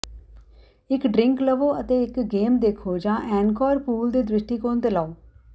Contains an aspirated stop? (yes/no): yes